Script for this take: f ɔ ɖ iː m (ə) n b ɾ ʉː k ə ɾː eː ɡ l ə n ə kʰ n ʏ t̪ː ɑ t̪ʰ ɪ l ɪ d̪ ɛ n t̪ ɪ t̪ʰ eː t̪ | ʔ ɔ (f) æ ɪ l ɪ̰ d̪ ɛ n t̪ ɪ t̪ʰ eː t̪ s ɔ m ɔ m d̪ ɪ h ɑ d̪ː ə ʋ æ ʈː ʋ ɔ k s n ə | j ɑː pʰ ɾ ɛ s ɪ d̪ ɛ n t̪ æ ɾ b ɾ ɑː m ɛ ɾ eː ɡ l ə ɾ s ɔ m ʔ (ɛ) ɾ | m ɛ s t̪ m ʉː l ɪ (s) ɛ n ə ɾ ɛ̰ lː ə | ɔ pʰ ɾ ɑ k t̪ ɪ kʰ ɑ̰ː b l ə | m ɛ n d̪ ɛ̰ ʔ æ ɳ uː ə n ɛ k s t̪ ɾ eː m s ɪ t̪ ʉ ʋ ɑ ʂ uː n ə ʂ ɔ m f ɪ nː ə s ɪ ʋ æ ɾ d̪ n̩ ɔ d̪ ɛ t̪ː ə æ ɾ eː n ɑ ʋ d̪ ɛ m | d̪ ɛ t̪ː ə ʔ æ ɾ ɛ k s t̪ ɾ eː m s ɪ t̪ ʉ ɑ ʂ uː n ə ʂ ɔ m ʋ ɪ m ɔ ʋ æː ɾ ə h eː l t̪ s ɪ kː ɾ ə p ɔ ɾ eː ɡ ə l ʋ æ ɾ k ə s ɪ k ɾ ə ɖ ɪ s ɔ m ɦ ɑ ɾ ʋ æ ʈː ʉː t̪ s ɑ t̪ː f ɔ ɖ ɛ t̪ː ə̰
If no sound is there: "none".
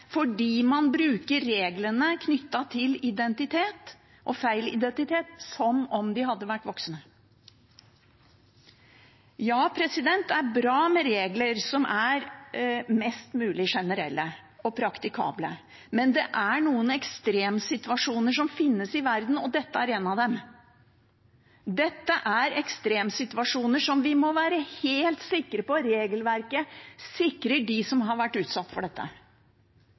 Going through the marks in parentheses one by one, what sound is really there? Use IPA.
ɑ, f, æ, ʂ

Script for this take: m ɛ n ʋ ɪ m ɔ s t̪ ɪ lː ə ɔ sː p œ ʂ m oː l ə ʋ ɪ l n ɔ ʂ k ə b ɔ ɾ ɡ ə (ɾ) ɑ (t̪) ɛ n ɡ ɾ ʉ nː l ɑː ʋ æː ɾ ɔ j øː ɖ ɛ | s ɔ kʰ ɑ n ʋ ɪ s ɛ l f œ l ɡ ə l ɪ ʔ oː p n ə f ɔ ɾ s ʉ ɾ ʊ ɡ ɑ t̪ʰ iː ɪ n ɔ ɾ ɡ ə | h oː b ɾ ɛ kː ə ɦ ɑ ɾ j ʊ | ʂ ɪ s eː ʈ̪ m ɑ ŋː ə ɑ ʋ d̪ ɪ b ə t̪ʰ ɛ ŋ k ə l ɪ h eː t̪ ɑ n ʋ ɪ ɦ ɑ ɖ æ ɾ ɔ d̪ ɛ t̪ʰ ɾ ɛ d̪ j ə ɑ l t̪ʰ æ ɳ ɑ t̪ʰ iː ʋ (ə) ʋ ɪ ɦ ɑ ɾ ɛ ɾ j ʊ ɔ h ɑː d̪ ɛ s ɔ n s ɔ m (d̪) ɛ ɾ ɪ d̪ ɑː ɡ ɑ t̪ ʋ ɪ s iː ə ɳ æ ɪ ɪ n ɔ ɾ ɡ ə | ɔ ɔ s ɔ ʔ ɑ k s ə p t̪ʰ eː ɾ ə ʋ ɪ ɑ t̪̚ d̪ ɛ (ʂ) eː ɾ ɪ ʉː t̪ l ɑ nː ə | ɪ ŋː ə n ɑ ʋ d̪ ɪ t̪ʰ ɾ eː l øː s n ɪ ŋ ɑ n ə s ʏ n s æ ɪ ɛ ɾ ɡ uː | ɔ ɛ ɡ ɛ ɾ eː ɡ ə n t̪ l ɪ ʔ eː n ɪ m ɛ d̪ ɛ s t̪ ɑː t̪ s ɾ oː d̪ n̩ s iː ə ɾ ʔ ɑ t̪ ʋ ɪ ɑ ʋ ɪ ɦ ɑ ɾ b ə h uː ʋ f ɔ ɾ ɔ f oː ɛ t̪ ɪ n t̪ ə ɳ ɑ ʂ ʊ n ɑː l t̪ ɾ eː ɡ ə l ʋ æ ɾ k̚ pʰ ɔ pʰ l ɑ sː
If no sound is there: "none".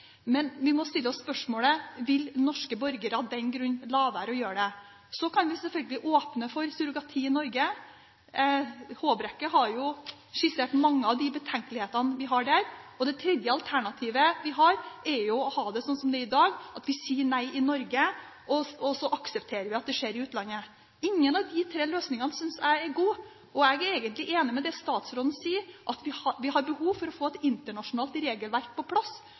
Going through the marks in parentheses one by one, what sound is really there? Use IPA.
ɾ, d̪, ə, d̪, ʂ

